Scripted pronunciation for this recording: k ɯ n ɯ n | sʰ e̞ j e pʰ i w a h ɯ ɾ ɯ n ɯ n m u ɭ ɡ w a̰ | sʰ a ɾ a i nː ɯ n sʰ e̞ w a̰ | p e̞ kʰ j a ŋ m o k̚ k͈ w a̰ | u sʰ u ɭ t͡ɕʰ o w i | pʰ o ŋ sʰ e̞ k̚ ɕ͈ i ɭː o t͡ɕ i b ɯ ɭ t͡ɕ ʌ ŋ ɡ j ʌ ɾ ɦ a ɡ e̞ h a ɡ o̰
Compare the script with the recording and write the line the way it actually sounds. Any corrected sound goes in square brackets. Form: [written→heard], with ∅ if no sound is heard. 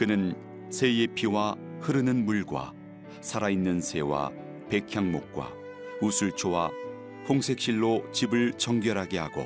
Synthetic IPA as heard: k ɯ n ɯ n | sʰ e̞ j e pʰ i w a h ɯ ɾ ɯ n ɯ n m u ɭ ɡ w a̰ | sʰ a ɾ a i nː ɯ n sʰ e̞ w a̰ | p e̞ kʰ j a ŋ m o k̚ k͈ w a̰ | u sʰ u ɭ t͡ɕʰ o w [i→a] | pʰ o ŋ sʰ e̞ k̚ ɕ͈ i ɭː o t͡ɕ i b ɯ ɭ t͡ɕ ʌ ŋ ɡ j ʌ ɾ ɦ a ɡ e̞ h a ɡ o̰